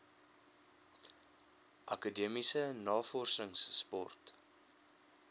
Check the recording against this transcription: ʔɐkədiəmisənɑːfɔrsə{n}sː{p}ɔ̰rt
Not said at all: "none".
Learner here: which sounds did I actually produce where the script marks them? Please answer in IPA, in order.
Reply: ŋ, p

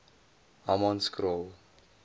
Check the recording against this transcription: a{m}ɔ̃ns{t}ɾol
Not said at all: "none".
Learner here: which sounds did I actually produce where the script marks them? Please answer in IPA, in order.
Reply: m, k

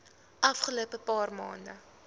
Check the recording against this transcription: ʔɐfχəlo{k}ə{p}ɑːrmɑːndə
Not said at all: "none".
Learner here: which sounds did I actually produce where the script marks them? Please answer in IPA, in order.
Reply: p, p

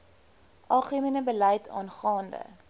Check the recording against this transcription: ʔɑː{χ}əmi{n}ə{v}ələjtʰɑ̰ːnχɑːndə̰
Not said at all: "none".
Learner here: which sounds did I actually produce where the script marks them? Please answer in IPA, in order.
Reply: χ, n, b

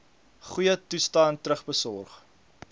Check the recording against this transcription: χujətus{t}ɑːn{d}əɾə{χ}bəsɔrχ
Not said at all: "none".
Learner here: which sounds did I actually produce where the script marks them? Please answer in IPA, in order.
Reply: t, t, χ

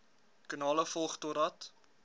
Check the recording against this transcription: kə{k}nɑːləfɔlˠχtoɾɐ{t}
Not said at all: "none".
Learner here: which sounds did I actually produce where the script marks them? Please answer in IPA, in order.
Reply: none, t

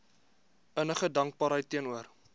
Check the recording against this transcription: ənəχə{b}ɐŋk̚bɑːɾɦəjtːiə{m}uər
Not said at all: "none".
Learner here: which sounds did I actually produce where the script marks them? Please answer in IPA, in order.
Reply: d, n

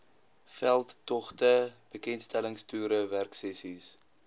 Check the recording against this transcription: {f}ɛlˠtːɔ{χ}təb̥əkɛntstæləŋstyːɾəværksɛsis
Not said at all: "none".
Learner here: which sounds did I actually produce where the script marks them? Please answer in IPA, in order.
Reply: f, χ

